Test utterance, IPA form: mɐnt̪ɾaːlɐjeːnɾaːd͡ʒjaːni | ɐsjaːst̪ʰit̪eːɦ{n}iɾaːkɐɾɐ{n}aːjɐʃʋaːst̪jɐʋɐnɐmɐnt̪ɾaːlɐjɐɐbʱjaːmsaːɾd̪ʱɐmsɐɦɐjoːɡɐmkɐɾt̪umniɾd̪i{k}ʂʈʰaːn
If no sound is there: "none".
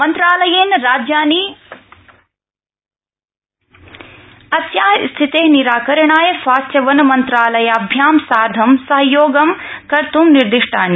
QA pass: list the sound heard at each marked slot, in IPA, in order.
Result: n, ɳ, none

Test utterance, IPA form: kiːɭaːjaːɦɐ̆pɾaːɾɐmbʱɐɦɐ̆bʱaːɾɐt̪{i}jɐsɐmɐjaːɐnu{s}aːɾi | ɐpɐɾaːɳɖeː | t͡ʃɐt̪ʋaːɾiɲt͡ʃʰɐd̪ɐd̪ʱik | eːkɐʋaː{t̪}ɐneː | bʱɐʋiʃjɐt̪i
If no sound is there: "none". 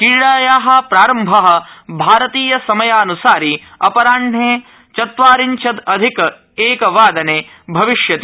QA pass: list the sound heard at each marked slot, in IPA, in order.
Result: iː, s, d̪

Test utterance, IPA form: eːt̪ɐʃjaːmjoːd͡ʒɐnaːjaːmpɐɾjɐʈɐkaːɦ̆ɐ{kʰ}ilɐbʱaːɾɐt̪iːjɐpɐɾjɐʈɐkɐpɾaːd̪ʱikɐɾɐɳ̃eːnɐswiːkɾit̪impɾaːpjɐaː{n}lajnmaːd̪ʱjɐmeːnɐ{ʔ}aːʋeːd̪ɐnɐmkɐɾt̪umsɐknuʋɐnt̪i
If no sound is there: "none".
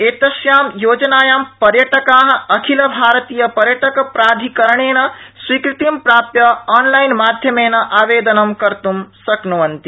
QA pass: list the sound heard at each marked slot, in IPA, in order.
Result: kʰ, n, ʔ

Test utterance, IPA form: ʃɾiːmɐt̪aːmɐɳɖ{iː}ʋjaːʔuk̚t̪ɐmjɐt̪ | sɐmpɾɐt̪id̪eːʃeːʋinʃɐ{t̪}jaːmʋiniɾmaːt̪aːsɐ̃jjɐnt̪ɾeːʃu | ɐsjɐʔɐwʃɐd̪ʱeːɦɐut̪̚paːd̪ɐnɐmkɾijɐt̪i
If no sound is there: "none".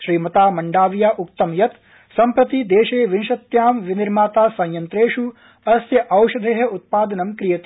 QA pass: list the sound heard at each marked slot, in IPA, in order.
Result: aː, t̪

